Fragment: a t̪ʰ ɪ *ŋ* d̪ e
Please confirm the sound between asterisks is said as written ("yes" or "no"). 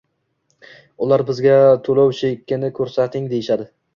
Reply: yes